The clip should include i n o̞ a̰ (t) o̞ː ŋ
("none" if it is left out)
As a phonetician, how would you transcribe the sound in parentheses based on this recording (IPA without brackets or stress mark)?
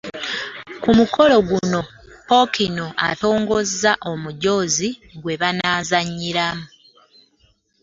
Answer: t